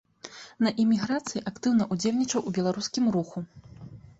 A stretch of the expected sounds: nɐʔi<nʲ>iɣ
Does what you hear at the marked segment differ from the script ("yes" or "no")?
yes